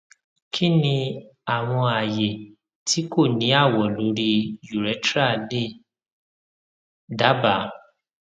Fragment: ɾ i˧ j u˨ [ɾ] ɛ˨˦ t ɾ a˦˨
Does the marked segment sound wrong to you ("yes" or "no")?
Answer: no